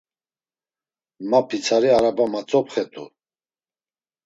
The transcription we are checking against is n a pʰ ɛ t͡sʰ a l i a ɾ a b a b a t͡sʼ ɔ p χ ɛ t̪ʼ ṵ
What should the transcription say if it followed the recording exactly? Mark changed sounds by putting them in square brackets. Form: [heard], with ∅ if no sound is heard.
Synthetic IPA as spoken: [m] a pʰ [i] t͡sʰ a [ɾ] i a ɾ a b a [m] a t͡sʼ ɔ p χ ɛ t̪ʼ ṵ